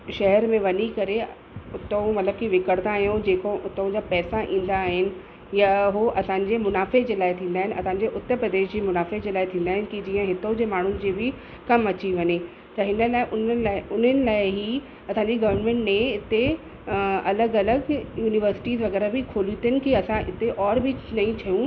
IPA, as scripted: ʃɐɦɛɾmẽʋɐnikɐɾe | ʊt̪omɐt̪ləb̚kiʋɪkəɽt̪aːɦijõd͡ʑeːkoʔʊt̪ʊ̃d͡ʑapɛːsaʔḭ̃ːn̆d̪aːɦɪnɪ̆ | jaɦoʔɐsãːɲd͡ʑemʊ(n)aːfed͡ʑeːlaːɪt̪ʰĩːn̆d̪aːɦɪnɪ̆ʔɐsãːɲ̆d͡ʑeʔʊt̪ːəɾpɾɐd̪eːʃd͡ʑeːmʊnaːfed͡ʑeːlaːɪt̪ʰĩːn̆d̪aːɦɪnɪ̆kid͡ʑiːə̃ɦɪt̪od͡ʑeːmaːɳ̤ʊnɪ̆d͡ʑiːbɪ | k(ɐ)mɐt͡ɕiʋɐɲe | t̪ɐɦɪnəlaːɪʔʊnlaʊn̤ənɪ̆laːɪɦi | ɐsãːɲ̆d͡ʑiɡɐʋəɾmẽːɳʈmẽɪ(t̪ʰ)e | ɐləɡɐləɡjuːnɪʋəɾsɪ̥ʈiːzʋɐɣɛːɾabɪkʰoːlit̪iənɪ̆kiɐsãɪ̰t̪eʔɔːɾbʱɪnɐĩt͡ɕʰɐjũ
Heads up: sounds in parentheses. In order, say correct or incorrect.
correct, correct, incorrect: t̪

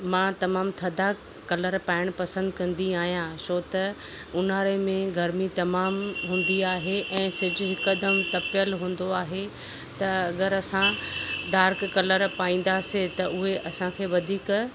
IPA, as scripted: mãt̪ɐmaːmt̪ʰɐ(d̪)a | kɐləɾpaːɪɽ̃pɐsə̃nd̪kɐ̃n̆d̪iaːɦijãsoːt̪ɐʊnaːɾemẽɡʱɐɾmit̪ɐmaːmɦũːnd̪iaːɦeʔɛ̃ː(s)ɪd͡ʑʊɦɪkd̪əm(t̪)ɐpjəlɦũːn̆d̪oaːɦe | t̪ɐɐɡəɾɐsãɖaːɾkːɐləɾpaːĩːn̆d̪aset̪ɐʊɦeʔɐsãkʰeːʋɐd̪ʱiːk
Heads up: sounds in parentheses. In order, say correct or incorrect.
correct, correct, correct

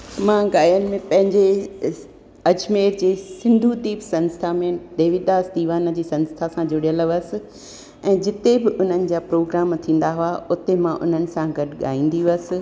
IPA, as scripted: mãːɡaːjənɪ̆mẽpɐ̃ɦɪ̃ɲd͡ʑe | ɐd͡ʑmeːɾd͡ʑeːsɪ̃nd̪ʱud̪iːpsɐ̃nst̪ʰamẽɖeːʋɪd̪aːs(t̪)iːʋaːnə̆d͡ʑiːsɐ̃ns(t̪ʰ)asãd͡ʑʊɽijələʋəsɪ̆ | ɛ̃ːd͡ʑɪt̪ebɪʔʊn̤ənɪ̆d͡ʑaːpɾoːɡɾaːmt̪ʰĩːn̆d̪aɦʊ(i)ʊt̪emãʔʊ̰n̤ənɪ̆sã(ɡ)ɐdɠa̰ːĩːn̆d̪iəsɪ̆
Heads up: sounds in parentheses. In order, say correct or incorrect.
incorrect: d̪, correct, incorrect: a, correct

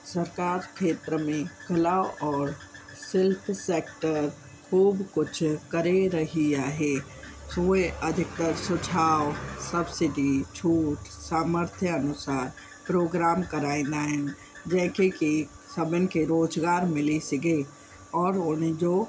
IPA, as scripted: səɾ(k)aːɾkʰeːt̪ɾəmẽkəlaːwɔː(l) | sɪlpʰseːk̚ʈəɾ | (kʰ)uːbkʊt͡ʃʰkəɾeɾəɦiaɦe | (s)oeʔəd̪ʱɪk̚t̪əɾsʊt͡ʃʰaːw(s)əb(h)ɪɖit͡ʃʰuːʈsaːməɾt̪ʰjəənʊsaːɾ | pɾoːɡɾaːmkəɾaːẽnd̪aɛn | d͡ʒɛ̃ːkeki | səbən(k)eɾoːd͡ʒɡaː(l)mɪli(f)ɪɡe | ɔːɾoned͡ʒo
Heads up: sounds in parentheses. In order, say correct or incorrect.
correct, incorrect: ɾ, correct, correct, correct, incorrect: s, correct, incorrect: ɾ, incorrect: s

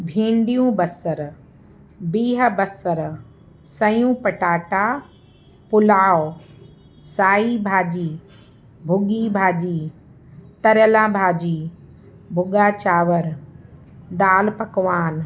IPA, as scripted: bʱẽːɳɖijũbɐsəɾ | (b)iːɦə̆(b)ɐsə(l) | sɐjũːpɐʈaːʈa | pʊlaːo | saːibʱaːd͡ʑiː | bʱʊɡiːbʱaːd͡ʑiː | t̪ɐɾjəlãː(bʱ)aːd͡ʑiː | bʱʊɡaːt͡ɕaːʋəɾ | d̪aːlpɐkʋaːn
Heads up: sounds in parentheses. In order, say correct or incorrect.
correct, correct, incorrect: ɾ, correct

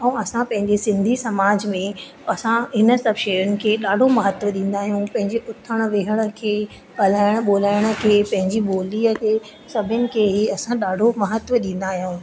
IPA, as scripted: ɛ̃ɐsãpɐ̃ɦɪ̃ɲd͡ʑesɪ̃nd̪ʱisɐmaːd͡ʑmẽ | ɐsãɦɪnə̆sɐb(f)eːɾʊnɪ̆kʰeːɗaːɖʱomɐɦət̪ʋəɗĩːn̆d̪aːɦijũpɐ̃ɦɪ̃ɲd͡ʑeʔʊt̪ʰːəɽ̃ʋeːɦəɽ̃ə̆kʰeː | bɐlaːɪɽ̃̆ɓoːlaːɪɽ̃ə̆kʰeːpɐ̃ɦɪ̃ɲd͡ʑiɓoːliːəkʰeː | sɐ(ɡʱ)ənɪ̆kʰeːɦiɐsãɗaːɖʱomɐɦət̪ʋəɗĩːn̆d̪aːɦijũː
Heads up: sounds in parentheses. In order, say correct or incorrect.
incorrect: ʃ, incorrect: bʱ

